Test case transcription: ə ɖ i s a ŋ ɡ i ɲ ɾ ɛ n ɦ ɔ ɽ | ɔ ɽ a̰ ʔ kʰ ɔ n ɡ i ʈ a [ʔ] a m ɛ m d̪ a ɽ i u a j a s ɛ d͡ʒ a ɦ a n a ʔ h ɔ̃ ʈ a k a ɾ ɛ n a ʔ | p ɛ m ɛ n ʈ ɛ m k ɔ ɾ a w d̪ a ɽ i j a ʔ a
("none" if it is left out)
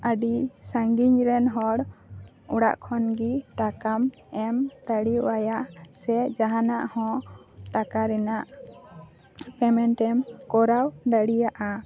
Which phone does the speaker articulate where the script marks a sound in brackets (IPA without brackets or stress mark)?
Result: k